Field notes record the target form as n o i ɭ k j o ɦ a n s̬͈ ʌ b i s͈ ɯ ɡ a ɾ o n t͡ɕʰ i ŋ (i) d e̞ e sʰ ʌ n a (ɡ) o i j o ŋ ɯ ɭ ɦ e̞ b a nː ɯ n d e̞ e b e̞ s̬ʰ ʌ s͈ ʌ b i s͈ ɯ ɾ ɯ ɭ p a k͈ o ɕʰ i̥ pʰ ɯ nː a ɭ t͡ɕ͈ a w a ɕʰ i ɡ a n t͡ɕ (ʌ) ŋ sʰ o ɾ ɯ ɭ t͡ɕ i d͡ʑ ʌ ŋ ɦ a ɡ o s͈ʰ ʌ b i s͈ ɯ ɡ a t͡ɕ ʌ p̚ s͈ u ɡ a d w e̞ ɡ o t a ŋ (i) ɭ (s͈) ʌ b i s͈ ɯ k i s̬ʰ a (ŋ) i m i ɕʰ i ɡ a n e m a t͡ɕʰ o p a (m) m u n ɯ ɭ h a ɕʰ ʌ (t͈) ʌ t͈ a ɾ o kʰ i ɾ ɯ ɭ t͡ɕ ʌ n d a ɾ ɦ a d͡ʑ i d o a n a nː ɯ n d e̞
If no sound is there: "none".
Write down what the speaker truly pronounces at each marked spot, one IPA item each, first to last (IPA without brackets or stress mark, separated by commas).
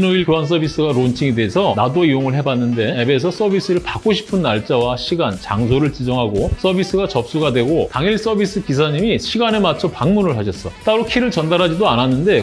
e, d, a, i, s͈, ɲ, ŋ, s͈